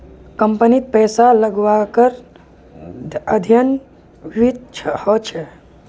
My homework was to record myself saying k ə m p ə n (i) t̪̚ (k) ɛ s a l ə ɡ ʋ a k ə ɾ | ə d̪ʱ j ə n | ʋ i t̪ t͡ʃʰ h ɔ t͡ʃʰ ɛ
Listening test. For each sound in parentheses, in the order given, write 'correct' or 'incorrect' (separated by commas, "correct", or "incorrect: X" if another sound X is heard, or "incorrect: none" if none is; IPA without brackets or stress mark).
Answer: correct, incorrect: p